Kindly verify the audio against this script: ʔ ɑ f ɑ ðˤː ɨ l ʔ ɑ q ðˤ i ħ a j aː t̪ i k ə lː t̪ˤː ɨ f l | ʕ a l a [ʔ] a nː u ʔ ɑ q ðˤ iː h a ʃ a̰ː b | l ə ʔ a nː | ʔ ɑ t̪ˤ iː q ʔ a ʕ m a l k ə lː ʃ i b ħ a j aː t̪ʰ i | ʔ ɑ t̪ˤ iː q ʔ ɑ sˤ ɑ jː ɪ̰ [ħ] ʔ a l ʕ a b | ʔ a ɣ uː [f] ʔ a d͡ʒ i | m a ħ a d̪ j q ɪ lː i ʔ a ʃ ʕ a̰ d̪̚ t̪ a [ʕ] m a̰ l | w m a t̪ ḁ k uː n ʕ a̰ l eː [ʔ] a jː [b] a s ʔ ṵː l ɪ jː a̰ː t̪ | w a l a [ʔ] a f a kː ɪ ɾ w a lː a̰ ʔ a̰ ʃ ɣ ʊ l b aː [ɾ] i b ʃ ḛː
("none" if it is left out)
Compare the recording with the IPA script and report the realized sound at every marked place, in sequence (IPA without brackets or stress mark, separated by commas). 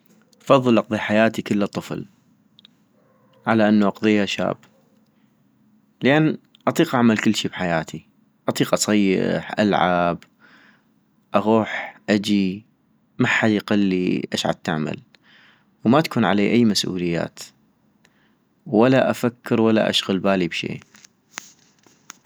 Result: ʔ, ħ, ħ, ʕ, ʔ, m, ʔ, l